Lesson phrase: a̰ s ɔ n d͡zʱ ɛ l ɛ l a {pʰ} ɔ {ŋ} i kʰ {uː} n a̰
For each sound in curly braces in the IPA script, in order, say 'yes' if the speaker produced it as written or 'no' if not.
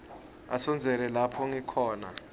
yes, yes, no

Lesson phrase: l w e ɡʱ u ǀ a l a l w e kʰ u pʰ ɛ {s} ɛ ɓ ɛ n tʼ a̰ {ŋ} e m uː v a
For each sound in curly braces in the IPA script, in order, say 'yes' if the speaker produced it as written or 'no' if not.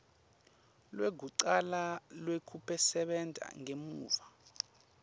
yes, yes

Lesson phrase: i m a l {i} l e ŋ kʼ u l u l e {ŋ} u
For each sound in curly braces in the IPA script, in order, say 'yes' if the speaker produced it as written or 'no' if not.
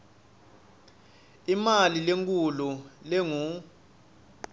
yes, yes

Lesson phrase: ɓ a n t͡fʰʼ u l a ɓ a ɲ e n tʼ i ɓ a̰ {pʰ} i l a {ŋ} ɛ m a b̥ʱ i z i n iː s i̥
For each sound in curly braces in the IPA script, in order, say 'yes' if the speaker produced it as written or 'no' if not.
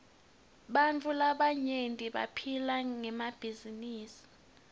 yes, yes

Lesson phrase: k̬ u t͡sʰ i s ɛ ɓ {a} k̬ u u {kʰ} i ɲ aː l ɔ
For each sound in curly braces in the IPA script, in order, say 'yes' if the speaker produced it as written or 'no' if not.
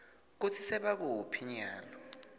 yes, no

